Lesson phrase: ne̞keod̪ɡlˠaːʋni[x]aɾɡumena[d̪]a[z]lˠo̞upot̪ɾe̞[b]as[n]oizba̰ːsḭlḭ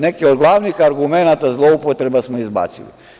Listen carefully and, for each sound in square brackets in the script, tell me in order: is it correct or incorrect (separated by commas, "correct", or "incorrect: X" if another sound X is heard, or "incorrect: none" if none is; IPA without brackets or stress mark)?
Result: correct, incorrect: t̪, correct, correct, incorrect: m